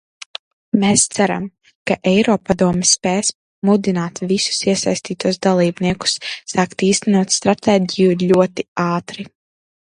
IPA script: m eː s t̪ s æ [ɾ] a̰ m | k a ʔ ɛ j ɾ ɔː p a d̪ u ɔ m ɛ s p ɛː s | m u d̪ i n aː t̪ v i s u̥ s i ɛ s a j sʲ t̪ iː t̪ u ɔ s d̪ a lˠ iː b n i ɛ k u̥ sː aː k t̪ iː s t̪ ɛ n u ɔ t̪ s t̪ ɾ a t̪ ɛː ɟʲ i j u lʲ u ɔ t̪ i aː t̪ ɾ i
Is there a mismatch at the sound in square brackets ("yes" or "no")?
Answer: no